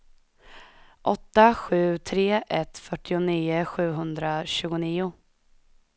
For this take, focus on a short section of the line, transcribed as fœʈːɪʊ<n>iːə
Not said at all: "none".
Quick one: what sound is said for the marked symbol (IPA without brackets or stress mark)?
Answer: n